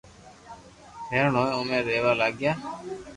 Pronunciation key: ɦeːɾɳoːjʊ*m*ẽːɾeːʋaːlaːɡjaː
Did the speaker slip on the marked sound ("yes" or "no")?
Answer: no